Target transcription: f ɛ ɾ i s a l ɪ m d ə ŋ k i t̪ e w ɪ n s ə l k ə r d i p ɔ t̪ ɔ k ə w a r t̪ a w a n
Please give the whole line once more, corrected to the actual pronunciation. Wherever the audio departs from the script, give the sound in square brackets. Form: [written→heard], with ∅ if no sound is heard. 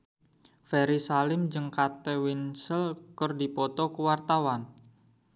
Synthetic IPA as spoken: f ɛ ɾ i s a l ɪ m [d→d͡ʒ] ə ŋ k [i→a] t̪ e w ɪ n s ə l k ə r d i p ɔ t̪ ɔ k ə w a r t̪ a w a n